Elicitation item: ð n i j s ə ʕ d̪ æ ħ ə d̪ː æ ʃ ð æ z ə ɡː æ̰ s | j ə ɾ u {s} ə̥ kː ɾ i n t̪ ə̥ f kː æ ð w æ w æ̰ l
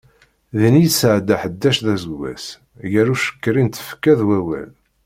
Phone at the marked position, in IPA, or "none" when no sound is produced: ʃ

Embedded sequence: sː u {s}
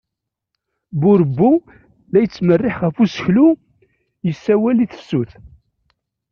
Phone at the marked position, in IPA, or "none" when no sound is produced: θ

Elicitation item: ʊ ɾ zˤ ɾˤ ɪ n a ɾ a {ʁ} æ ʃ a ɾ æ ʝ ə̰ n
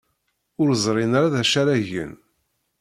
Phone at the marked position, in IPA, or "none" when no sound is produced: ð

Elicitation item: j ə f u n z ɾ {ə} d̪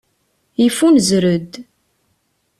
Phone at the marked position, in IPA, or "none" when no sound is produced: ə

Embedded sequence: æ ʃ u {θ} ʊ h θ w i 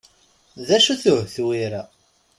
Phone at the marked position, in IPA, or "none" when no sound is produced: θ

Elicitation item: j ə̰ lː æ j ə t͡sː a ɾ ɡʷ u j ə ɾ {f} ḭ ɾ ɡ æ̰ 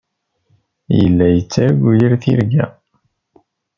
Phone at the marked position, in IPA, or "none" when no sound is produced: θ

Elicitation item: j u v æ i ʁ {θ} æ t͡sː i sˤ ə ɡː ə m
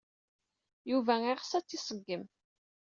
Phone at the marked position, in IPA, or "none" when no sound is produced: s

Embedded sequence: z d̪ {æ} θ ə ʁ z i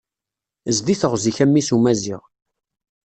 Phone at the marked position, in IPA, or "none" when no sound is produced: i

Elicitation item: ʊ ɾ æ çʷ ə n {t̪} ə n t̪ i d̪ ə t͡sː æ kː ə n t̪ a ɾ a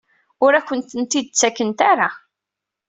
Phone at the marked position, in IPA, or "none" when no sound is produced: t̪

